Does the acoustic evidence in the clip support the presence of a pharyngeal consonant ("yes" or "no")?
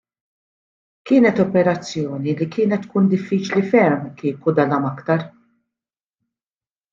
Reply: no